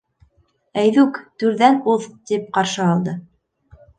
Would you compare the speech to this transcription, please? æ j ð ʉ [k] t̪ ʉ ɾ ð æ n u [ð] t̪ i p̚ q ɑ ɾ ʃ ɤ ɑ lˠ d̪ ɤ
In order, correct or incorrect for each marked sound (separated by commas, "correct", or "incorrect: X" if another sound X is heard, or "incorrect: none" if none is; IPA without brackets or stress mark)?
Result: correct, correct